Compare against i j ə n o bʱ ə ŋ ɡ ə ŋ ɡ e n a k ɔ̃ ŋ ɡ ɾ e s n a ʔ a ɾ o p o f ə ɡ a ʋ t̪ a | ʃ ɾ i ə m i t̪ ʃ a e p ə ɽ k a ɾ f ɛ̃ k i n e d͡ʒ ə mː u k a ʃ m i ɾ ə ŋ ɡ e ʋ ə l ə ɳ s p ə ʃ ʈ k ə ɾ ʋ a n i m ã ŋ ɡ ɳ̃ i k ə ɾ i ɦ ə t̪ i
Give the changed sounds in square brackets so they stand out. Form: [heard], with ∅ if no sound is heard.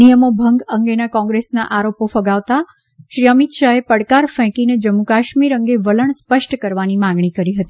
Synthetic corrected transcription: i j ə [m] o bʱ ə ŋ ɡ ə ŋ ɡ e n a k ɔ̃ ŋ ɡ ɾ e s n a ʔ a ɾ o p o f ə ɡ a ʋ t̪ a | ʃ ɾ i ə m i t̪ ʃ a e p ə ɽ k a ɾ f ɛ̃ k i n e d͡ʒ ə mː u k a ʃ m i ɾ ə ŋ ɡ e ʋ ə l ə ɳ s p ə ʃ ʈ k ə ɾ ʋ a n i m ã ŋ ɡ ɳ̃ i k ə ɾ i ɦ ə t̪ i